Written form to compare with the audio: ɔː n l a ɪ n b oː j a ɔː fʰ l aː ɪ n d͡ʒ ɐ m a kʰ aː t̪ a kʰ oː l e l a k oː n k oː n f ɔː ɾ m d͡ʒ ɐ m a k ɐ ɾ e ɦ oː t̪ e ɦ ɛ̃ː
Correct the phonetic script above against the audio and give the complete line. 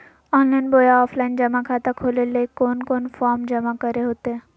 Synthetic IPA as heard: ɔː n l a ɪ n b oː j a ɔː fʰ l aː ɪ n d͡ʒ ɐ m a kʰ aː t̪ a kʰ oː l e l e k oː n k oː n f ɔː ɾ m d͡ʒ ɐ m a k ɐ ɾ e ɦ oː t̪ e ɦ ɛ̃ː